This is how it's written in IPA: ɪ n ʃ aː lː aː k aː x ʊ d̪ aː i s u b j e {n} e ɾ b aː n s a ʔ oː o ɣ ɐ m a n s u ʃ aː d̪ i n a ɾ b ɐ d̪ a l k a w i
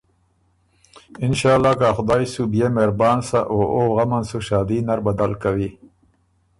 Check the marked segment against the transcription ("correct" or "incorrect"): incorrect